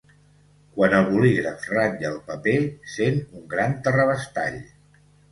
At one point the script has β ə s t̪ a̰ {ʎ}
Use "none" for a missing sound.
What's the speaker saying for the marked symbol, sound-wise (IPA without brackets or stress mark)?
ʎ